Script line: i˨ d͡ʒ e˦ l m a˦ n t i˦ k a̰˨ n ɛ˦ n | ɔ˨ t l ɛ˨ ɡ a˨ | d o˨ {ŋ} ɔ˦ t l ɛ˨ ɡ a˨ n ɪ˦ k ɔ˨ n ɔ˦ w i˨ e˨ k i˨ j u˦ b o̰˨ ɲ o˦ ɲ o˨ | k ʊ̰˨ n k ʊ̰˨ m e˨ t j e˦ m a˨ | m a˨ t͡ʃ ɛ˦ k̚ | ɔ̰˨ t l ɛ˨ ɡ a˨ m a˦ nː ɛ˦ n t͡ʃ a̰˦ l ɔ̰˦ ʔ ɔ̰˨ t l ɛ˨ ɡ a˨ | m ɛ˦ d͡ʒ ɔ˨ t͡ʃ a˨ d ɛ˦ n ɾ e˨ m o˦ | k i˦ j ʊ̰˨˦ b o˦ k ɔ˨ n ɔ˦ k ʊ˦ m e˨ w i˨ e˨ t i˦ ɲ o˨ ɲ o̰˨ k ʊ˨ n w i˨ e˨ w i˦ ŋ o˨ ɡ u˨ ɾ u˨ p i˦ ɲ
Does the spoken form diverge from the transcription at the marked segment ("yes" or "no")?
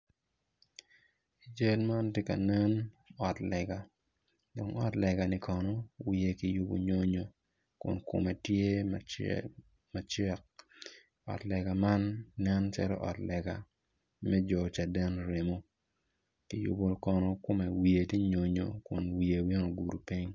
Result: no